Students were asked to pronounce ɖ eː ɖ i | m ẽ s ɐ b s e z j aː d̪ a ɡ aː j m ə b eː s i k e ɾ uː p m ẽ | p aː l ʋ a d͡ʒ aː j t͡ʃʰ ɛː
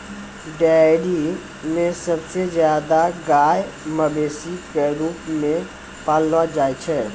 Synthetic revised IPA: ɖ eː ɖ i | m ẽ s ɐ b s e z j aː d̪ a ɡ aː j m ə b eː s i k e ɾ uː p m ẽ | p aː l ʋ a d͡ʒ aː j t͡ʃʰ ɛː